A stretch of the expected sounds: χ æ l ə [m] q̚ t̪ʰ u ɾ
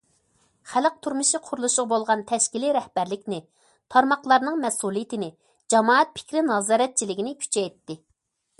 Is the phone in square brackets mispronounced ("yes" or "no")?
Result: yes